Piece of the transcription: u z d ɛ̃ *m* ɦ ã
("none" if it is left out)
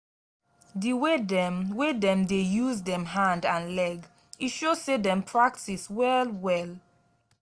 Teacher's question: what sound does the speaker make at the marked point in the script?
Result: m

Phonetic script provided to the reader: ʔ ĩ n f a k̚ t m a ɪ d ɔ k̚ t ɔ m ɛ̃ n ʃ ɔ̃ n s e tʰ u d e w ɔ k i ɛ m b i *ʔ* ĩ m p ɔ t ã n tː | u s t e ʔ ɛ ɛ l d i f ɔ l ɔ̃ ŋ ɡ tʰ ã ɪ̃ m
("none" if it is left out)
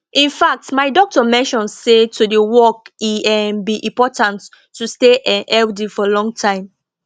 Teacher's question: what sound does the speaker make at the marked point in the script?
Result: ʔ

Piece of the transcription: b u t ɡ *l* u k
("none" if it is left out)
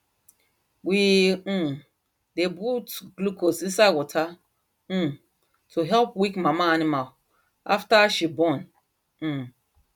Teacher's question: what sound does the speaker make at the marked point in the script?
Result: l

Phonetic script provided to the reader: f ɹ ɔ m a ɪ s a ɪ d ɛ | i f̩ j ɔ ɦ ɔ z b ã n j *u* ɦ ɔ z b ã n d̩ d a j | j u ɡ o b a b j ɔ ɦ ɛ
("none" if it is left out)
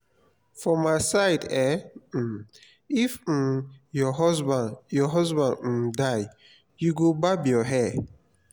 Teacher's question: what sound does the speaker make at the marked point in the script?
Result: ɔ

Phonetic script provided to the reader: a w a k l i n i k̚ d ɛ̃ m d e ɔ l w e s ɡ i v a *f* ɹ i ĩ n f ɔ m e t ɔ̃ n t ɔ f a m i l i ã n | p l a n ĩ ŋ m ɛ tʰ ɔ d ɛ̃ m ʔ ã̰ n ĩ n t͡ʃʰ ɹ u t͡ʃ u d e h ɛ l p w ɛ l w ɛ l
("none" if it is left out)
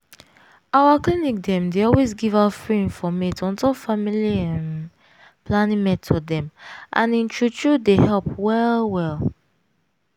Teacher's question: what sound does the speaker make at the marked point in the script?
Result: f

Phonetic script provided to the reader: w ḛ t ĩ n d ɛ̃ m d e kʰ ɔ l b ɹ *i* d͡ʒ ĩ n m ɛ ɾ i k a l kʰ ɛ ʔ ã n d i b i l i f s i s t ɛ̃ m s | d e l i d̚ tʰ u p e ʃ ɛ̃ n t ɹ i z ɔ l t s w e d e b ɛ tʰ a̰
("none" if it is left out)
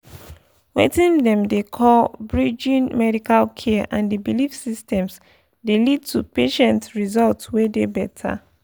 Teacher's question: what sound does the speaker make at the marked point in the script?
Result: i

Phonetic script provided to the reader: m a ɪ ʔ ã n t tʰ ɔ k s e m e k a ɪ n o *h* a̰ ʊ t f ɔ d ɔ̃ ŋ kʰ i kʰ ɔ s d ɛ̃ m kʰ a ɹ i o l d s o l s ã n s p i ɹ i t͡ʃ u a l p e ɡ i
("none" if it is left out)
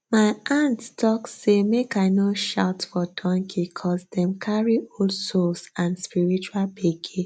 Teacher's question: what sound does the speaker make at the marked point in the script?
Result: ʃ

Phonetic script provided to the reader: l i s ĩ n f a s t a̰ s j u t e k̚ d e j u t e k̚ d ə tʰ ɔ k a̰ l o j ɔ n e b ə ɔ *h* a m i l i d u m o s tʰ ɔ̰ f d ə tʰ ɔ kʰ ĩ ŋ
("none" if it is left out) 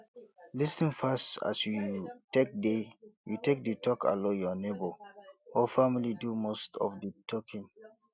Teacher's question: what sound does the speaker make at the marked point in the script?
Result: f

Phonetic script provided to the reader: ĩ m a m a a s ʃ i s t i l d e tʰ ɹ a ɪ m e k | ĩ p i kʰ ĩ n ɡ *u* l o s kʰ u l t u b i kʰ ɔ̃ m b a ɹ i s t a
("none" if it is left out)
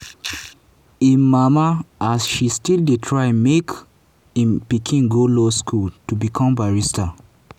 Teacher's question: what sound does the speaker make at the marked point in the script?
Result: o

